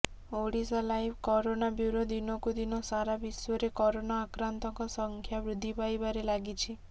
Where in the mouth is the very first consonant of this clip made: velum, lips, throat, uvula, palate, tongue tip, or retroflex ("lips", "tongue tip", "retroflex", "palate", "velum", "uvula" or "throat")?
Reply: retroflex